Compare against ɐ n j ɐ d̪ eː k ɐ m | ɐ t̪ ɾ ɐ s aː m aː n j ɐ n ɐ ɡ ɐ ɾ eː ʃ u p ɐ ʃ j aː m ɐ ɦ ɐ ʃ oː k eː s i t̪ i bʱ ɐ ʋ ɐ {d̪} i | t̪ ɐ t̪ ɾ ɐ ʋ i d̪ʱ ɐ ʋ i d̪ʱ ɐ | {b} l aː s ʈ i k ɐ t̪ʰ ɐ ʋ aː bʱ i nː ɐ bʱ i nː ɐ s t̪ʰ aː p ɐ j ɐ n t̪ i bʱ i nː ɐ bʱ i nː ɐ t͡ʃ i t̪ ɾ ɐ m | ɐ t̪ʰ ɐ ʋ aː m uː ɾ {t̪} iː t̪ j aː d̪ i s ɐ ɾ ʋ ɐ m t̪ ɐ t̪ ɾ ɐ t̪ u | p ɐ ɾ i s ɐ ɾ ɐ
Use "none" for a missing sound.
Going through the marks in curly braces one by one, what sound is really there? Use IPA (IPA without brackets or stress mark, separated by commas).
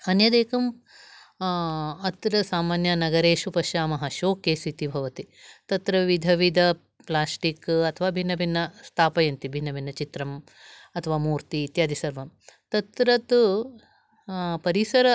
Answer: t̪, p, t̪